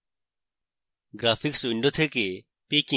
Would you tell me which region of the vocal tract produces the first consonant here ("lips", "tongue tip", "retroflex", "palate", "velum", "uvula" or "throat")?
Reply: velum